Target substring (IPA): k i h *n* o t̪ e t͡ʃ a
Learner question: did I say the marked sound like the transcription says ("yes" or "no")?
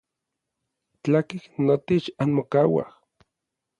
yes